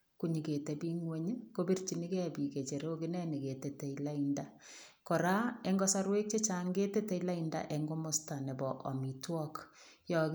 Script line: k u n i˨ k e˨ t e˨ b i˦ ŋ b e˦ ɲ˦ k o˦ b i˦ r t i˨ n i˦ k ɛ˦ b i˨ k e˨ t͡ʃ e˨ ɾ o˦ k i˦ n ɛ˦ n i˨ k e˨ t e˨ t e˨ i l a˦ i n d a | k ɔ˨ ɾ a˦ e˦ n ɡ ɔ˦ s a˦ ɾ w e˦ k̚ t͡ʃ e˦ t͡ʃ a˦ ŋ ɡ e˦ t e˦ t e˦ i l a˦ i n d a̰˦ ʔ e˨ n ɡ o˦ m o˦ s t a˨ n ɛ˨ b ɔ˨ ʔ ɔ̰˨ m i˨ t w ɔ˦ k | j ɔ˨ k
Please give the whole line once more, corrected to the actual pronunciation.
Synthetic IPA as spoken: k u ɲ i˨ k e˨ t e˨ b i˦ ŋ w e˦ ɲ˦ k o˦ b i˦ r t͡ʃ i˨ n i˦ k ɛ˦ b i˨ k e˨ t͡ʃ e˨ ɾ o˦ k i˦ n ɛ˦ n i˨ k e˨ t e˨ t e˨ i l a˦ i n d a | k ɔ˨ ɾ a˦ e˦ ŋ ɡ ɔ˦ s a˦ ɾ w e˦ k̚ t͡ʃ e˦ t͡ʃ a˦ ŋ ɡ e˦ t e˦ t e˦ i l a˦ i n d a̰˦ ʔ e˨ ŋ ɡ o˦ m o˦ s t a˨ n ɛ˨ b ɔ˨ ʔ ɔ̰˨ m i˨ t w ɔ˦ k | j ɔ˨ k